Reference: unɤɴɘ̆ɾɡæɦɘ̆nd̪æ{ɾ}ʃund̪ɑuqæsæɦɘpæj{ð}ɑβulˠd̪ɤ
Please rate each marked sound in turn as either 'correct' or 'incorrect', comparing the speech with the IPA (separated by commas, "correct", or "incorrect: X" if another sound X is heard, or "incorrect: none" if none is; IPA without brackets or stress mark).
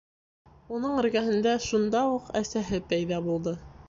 incorrect: none, correct